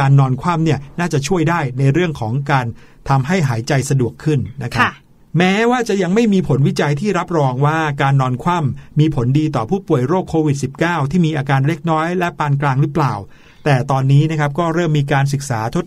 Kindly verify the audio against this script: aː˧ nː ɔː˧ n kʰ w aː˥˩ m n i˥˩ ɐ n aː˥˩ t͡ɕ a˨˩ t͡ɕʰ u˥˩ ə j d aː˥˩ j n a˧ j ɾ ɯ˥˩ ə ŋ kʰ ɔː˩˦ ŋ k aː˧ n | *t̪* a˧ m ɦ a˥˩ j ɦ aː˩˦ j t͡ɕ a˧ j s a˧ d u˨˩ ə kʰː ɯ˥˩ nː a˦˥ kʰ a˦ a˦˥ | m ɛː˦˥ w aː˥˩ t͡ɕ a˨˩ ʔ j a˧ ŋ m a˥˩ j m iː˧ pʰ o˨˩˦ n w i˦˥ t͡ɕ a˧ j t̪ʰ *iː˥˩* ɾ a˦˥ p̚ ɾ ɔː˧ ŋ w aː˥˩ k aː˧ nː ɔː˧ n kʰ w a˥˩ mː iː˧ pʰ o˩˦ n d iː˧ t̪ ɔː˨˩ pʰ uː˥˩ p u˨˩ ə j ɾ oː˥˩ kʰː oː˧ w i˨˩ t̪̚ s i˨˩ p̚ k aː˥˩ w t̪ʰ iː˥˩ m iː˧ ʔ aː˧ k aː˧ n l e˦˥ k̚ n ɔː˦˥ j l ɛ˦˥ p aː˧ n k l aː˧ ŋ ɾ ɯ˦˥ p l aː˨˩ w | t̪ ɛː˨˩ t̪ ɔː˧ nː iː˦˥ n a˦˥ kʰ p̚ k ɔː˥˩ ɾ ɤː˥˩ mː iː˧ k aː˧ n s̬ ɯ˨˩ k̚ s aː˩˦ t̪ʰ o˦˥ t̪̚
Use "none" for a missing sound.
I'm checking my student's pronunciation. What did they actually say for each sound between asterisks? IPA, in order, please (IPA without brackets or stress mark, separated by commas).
t̪ʰ, iː˥˩